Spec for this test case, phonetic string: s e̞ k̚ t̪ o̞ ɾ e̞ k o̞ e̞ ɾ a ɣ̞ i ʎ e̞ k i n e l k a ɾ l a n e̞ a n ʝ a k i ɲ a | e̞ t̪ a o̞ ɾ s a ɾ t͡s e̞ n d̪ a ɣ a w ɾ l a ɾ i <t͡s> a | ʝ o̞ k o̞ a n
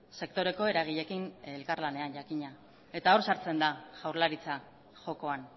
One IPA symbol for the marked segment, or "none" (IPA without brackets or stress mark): t͡s